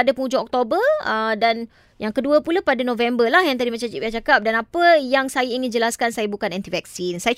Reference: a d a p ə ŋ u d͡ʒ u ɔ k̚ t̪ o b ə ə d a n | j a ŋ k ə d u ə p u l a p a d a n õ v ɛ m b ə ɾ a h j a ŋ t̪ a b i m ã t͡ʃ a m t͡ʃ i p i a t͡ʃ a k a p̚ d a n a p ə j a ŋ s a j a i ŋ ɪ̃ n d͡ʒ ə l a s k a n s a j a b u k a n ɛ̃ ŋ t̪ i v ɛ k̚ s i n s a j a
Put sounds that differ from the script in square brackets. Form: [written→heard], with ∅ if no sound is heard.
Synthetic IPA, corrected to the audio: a d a p ə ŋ u d͡ʒ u ɔ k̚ t̪ o b ə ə d a n | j a ŋ k ə d u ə p u l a p a d a n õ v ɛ m b ə [ɾ→l] a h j a ŋ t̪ a [b→d] i m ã t͡ʃ a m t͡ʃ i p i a t͡ʃ a k a p̚ d a n a p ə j a ŋ s a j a i ŋ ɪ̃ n d͡ʒ ə l a s k a n s a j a b u k a n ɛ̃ [ŋ→n] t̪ i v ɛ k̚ s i n s a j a